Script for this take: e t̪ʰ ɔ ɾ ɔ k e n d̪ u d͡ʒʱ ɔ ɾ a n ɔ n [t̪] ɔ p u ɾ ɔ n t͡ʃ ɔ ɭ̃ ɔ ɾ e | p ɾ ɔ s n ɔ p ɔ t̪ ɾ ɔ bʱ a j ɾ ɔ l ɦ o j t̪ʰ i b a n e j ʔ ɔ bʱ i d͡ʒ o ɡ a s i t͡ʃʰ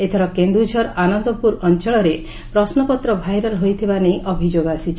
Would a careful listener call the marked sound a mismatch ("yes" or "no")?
yes